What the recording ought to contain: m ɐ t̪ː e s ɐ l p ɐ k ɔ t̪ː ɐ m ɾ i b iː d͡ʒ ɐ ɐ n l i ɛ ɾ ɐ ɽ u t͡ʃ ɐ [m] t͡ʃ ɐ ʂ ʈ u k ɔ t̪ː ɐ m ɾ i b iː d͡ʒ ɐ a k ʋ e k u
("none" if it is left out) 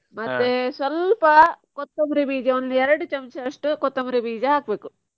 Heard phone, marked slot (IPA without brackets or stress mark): m